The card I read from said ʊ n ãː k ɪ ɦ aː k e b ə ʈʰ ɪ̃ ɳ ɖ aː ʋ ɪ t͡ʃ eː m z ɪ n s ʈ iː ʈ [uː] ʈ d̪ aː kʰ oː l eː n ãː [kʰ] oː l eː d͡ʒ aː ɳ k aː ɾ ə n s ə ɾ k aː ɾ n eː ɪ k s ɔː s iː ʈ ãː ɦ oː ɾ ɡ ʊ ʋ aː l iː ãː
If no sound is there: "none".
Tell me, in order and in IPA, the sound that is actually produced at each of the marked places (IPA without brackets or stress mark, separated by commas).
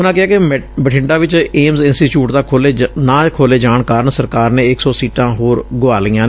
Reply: uː, kʰ